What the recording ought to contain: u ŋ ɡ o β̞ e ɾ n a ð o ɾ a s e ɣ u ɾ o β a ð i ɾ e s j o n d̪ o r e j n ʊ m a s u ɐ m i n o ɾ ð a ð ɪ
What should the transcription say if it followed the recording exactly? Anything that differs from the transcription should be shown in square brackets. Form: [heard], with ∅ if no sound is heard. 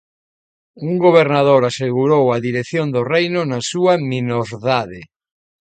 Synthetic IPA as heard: u ŋ ɡ o β̞ e ɾ n a ð o ɾ a s e ɣ u ɾ o [w] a ð i ɾ e [θ] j o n d̪ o r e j n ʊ [n] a s u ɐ m i n o ɾ ð a ð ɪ